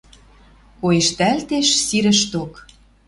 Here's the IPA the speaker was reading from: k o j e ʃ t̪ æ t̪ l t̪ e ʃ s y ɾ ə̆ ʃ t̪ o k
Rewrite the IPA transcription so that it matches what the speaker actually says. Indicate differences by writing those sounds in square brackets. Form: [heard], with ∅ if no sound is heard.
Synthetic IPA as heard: k o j e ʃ t̪ æ [∅] l t̪ e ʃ s [i] ɾ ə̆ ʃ t̪ o k